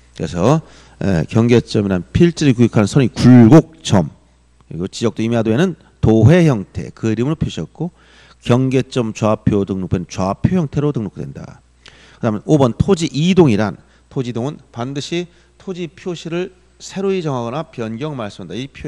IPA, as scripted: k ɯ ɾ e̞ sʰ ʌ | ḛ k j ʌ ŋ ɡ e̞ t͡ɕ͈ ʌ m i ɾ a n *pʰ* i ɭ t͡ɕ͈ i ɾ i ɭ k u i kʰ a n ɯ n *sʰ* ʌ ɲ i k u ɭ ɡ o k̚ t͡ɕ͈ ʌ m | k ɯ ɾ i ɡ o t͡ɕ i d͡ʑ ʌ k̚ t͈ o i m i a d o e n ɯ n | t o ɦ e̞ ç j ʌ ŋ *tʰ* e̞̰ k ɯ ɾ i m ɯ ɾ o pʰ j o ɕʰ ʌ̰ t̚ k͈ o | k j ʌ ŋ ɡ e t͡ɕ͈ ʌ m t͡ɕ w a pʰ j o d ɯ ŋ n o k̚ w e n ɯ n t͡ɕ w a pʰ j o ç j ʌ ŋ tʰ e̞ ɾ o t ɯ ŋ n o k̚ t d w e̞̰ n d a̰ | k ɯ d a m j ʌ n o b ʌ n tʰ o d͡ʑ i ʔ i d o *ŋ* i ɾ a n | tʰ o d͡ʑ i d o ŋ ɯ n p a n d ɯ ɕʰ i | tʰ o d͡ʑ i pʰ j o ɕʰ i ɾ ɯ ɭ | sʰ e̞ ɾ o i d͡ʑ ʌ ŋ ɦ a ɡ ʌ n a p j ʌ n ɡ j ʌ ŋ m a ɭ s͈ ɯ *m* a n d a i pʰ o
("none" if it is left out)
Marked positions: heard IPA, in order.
pʰ, sʰ, tʰ, ŋ, m

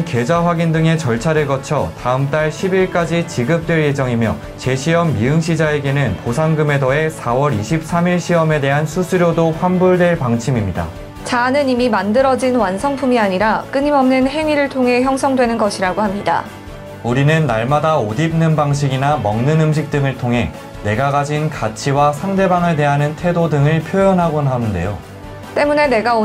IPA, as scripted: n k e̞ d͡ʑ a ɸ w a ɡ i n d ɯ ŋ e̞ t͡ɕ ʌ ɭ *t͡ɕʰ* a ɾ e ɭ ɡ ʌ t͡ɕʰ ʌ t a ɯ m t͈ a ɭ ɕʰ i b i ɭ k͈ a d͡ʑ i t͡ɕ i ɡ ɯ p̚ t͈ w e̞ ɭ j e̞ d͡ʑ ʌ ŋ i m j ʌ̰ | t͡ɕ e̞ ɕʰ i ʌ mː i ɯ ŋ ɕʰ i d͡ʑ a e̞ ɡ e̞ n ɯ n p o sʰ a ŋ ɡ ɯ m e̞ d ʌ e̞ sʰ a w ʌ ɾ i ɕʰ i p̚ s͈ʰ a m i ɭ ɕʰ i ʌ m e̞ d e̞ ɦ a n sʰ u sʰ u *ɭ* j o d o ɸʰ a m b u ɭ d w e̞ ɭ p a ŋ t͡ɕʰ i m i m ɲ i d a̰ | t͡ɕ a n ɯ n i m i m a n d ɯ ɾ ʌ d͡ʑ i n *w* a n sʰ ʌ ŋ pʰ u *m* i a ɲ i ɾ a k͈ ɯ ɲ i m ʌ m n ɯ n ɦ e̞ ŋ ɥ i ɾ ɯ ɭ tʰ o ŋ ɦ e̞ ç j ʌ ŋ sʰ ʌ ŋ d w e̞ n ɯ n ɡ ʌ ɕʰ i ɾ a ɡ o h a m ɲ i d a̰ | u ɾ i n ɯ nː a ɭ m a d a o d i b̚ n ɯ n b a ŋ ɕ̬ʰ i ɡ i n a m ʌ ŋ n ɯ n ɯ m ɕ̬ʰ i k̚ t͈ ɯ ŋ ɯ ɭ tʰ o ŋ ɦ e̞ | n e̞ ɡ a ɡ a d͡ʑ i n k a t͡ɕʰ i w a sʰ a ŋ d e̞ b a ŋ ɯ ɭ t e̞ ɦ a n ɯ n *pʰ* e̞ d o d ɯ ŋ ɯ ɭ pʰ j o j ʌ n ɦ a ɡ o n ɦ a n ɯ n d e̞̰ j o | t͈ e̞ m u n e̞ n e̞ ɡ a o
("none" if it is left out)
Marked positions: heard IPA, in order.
t͡ɕʰ, ɾ, w, m, tʰ

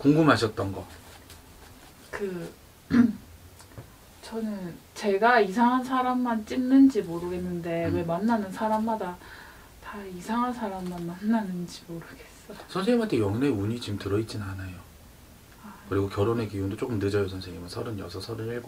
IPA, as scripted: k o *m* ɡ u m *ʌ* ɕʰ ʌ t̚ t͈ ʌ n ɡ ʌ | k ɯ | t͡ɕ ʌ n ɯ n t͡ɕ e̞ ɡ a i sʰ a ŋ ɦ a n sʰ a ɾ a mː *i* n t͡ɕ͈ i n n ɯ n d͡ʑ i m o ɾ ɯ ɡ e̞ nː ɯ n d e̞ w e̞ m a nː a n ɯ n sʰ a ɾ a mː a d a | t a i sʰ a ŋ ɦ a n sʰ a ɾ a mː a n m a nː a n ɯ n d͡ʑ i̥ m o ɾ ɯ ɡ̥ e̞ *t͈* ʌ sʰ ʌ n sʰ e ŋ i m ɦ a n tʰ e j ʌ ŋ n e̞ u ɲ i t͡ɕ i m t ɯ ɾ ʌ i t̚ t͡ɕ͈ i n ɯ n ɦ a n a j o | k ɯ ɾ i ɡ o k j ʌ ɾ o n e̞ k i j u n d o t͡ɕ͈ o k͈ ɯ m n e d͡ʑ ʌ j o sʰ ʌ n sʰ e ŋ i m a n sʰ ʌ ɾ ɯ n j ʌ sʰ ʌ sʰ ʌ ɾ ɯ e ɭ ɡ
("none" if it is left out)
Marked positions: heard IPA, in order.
ŋ, a, a, s͈

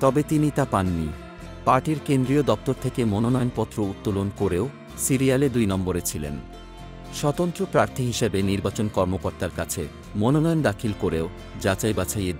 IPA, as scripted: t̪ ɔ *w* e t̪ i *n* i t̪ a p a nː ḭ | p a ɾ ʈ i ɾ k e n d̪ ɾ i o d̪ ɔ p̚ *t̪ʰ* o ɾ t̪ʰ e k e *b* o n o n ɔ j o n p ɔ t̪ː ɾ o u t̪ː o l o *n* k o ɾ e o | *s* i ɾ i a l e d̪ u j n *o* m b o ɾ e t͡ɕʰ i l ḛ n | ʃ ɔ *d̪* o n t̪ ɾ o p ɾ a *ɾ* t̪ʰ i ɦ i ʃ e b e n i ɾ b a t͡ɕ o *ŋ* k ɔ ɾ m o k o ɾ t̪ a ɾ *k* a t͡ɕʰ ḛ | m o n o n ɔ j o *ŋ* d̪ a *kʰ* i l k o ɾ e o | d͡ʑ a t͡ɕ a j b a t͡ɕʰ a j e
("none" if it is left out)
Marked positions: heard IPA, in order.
b, n, t̪, m, n, s, ɔ, t̪, ɾ, n, k, n, kʰ

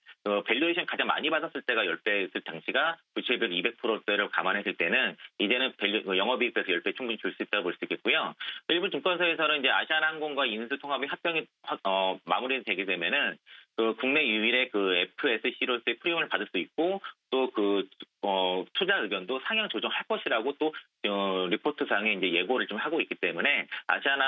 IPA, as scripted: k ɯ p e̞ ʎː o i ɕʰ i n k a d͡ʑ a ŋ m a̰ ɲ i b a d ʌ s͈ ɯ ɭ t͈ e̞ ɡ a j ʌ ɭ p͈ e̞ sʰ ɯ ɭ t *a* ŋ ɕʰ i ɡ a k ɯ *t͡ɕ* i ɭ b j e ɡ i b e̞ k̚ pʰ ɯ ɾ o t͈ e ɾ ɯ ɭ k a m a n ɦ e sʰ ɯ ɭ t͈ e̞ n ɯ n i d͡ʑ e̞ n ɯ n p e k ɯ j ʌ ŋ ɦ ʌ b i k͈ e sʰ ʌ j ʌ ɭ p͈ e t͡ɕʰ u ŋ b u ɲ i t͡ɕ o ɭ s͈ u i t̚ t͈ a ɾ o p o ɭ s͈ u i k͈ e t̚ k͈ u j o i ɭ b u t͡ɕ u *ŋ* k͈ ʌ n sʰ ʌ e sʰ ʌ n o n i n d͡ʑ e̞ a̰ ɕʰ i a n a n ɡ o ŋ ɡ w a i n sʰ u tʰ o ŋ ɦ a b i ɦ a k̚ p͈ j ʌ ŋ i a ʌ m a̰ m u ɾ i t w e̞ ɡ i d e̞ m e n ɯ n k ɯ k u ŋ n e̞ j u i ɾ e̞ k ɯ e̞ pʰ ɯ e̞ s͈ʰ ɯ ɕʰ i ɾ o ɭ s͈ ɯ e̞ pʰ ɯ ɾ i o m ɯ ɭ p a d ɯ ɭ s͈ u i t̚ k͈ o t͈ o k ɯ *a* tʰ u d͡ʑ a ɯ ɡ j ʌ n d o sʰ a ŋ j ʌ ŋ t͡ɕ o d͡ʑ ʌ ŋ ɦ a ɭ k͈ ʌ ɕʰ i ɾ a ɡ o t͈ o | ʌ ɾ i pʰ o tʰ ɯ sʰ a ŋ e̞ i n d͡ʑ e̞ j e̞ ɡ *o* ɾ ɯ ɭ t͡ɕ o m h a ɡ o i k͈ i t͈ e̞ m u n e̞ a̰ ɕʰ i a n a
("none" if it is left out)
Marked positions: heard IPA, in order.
a, t͡ɕʰ, ŋ, ʌ, o

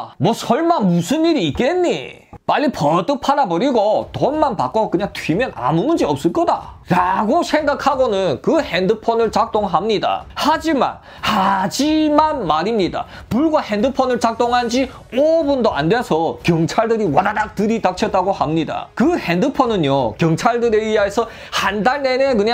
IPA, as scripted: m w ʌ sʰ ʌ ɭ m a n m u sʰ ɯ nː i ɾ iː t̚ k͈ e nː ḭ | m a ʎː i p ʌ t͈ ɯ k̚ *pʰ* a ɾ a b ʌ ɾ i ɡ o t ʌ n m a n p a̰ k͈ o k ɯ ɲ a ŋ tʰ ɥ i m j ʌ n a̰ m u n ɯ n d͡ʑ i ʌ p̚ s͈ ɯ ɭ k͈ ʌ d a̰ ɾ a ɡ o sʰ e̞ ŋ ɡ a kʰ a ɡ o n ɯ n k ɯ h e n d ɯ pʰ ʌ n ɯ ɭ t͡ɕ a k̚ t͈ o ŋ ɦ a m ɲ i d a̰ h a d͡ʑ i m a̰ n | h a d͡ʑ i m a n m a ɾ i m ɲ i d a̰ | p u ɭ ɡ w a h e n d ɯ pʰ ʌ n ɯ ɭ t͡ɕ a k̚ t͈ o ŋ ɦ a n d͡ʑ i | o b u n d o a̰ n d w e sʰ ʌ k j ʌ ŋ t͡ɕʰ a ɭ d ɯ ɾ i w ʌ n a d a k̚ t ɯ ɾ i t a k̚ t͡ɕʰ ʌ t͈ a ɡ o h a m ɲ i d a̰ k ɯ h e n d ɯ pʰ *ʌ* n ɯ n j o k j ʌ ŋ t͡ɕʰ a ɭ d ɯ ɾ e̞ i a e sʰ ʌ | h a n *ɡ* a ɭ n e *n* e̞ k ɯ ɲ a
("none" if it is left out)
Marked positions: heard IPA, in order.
pʰ, ʌ, d, n

